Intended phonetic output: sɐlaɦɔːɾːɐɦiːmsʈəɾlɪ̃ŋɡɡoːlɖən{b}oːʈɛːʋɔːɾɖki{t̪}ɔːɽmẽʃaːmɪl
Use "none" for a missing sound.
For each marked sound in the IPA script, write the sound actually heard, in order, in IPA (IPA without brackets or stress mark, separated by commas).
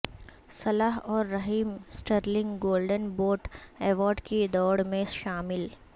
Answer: b, d̪